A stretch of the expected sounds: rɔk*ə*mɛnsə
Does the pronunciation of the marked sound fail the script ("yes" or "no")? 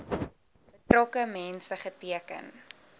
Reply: no